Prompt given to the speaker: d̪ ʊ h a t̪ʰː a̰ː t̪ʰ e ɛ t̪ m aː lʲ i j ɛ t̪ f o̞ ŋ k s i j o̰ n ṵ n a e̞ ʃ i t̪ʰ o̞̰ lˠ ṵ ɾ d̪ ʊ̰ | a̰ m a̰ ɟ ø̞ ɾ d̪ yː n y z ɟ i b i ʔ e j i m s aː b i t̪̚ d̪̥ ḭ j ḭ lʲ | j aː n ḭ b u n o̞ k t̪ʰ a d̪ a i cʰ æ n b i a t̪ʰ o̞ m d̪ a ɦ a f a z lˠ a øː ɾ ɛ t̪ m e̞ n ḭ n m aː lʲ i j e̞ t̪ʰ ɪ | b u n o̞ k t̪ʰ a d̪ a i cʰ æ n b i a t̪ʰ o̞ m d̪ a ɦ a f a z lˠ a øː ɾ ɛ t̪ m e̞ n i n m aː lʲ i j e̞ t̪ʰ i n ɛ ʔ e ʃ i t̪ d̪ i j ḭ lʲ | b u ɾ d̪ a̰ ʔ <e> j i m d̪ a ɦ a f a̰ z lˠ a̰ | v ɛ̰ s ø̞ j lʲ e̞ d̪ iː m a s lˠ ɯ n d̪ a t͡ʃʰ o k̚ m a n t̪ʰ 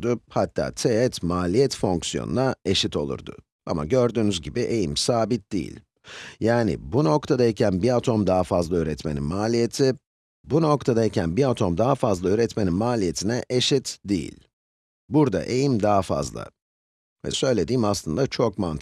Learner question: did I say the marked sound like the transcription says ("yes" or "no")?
yes